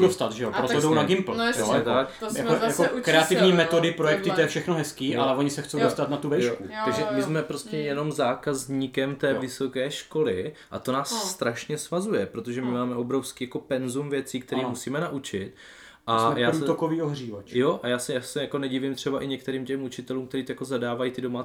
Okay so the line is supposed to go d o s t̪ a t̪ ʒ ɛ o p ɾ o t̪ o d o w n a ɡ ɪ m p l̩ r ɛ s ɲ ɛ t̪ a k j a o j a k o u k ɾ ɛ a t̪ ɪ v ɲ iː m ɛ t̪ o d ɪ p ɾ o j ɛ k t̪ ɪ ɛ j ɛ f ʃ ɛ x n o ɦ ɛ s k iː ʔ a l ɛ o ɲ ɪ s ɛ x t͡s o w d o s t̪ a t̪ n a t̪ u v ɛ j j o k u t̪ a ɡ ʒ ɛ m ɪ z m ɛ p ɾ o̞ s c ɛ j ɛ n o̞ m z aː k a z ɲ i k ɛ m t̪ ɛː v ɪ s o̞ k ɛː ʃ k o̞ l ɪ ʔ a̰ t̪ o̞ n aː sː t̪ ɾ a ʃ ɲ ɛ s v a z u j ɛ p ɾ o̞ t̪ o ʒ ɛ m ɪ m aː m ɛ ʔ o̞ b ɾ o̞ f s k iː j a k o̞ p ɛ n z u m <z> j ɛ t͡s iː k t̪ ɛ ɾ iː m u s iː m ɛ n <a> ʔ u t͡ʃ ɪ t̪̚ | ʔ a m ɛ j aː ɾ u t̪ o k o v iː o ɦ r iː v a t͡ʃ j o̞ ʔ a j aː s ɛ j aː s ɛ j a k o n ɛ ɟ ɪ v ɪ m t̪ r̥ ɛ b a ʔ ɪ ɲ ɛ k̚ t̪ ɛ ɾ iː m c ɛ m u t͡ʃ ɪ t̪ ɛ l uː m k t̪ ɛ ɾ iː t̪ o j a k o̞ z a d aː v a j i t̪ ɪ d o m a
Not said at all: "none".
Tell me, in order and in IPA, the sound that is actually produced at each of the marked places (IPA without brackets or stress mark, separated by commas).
v, a